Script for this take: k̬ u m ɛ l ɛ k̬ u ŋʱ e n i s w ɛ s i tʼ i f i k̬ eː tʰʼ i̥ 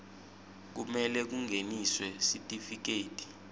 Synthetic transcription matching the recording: k̬ u m ɛ l ɛ k̬ u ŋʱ e n i s w ɛ s i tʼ i f i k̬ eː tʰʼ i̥